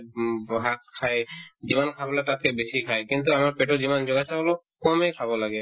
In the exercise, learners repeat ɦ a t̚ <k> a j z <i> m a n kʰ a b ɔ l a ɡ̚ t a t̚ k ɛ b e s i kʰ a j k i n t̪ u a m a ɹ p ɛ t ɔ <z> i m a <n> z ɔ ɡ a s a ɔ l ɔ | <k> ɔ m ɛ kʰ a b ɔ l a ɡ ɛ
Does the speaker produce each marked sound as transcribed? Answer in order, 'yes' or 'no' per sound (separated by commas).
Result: no, yes, yes, yes, yes